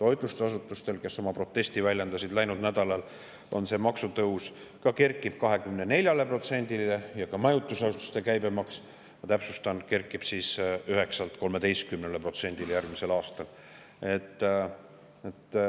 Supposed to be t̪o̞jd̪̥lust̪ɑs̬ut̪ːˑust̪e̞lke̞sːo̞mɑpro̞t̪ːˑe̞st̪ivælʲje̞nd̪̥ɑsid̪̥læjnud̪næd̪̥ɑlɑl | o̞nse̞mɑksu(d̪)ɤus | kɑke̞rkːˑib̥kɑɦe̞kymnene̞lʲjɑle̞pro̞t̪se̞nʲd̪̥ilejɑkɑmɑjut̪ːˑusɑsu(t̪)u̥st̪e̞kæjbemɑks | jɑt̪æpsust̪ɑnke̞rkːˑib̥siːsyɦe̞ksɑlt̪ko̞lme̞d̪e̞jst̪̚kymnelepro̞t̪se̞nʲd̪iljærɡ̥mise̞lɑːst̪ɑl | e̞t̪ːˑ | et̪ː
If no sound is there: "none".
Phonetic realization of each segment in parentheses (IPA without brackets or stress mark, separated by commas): t̪, t̪